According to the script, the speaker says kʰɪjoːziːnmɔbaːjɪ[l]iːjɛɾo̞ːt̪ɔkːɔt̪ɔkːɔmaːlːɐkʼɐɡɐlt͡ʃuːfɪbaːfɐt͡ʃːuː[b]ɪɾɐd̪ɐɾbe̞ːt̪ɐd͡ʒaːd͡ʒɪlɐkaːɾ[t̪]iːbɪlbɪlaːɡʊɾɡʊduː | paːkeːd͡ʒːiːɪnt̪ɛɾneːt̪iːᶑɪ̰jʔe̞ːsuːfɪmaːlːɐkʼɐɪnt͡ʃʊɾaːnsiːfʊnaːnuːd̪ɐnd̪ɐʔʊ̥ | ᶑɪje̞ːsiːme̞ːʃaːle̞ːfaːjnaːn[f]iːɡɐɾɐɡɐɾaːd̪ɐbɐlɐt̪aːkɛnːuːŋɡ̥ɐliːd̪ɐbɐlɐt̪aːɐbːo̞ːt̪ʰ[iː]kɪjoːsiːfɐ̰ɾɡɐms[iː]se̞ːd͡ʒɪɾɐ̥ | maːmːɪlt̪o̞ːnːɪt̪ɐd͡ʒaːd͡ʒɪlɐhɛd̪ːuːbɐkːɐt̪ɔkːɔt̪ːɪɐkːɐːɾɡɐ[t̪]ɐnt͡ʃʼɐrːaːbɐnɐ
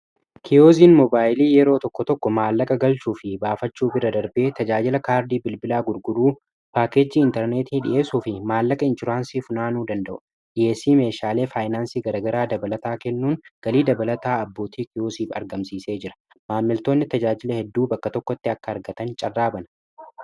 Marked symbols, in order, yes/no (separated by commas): yes, yes, no, no, yes, yes, yes